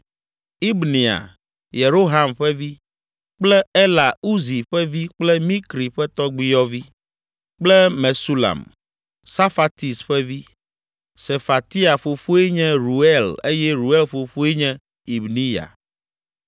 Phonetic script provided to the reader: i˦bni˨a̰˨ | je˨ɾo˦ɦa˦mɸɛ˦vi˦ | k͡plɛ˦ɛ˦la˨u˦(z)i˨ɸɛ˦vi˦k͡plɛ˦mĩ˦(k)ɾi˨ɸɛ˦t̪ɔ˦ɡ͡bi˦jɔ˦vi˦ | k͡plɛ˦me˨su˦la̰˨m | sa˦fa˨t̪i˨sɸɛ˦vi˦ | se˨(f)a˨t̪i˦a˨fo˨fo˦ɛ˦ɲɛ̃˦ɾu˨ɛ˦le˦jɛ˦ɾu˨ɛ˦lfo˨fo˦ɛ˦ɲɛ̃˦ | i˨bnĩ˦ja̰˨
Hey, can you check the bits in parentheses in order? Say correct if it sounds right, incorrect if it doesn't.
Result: correct, correct, correct

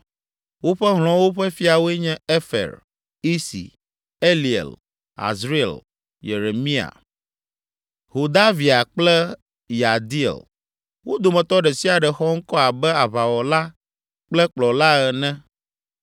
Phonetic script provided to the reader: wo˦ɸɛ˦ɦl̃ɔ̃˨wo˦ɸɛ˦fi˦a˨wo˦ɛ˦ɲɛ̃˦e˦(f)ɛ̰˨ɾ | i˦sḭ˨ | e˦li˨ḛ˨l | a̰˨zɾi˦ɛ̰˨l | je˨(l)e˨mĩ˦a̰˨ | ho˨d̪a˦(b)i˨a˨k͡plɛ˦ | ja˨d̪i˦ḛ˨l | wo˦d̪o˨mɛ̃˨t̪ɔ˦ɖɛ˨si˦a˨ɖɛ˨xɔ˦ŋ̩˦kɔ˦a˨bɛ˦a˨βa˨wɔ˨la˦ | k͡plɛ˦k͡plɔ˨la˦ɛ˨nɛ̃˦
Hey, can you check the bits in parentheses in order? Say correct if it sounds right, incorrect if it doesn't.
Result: correct, incorrect: ɾ, incorrect: v

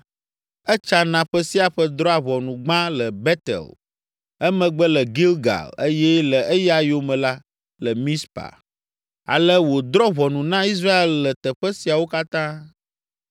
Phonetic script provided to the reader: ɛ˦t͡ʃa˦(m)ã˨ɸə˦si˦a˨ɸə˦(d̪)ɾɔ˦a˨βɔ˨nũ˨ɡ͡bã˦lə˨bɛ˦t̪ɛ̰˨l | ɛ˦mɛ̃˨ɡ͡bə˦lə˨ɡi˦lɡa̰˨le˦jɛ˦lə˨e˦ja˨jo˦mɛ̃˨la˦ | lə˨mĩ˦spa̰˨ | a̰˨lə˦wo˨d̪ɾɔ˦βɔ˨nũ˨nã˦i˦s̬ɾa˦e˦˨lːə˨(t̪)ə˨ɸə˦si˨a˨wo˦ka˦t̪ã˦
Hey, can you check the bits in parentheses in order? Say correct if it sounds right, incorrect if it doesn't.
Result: incorrect: n, correct, correct

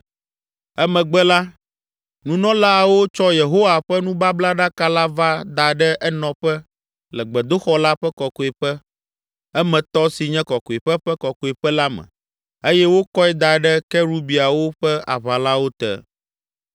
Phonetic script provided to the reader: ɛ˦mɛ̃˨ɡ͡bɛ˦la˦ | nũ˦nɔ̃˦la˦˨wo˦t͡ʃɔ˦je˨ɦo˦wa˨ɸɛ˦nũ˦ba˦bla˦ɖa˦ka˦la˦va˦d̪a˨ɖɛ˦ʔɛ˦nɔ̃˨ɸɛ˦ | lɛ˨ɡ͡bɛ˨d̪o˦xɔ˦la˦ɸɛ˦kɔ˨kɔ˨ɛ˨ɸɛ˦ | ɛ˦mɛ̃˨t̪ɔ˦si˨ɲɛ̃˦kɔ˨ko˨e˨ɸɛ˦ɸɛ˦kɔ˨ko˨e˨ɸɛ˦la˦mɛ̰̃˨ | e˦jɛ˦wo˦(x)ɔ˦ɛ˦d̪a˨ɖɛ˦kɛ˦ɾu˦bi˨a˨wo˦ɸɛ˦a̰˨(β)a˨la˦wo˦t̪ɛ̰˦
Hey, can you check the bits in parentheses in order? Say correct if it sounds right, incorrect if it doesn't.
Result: incorrect: k, correct

